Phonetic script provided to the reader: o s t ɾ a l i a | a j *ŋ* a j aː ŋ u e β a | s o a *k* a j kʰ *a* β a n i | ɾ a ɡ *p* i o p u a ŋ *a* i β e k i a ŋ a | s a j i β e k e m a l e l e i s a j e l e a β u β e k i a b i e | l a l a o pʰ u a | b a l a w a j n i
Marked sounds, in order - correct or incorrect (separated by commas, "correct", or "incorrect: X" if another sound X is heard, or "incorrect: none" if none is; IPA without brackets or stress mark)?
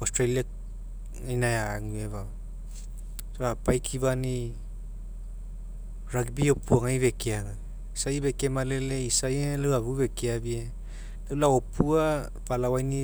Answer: incorrect: n, incorrect: p, incorrect: i, incorrect: b, correct